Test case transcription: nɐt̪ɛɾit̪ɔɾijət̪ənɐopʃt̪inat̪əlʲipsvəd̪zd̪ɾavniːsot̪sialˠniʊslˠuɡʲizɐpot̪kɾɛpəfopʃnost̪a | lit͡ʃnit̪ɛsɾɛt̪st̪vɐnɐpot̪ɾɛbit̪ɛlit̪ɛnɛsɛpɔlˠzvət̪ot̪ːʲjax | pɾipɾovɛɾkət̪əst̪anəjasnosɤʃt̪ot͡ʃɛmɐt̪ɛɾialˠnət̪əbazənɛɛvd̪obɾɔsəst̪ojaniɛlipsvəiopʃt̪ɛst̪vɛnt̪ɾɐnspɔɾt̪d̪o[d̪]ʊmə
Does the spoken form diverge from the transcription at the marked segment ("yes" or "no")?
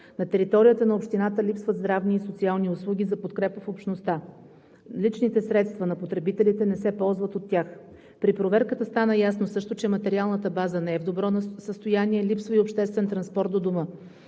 no